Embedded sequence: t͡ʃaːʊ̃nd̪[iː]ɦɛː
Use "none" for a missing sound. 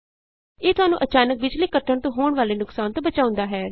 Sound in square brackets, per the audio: aː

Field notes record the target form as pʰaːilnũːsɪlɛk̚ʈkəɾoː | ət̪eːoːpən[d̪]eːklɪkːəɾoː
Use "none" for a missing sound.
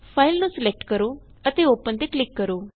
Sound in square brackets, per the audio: t̪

